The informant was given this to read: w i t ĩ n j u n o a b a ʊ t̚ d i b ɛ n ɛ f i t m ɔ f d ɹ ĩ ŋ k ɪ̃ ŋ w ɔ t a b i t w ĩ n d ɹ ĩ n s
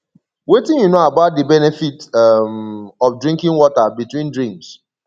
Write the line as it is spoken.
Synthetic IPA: w e t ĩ n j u n o a b a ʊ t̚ d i b ɛ n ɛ f i t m ɔ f d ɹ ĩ ŋ k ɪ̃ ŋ w ɔ t a b i t w ĩ n d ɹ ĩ m s